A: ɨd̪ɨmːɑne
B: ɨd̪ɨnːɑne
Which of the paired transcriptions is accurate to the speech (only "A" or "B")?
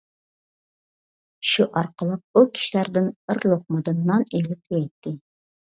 B